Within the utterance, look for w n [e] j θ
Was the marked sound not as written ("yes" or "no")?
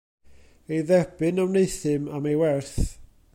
no